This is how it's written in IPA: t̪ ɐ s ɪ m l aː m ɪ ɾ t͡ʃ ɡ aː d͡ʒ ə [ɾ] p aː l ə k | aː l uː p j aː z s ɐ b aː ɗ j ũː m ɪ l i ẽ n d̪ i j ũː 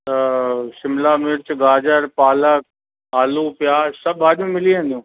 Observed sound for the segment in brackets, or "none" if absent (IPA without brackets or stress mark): ɾ